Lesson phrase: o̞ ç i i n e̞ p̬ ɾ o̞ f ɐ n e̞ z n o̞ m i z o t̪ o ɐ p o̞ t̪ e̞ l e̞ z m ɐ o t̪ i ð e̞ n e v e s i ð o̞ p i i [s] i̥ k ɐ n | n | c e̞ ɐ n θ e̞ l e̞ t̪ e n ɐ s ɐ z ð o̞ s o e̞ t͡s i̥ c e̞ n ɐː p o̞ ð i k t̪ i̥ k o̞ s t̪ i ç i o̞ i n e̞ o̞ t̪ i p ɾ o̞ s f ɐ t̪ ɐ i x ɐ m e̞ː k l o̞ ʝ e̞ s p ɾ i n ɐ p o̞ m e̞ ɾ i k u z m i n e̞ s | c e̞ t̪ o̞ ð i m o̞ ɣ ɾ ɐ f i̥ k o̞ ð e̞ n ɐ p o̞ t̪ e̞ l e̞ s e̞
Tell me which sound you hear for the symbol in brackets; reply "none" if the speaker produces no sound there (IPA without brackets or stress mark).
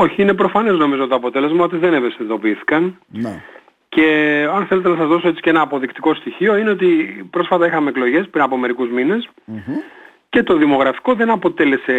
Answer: θ